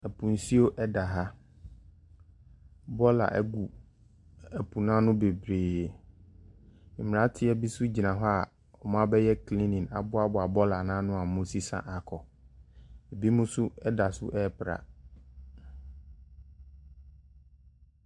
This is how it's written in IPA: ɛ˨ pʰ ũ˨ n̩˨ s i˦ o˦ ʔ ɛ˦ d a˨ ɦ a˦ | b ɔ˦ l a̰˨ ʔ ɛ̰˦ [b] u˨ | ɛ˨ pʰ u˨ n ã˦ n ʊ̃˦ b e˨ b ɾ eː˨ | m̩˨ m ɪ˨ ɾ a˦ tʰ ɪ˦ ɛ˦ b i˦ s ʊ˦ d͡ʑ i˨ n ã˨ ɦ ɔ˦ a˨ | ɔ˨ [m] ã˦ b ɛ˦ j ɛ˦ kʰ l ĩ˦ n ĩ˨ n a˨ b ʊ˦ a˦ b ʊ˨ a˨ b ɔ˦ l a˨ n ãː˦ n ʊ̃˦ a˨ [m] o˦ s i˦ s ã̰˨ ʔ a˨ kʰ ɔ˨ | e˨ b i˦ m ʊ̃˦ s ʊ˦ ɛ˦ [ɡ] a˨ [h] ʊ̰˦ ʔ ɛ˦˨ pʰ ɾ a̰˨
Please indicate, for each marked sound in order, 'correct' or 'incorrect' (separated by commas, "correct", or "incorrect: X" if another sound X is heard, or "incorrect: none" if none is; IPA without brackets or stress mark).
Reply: incorrect: ɡ, correct, correct, incorrect: d, incorrect: s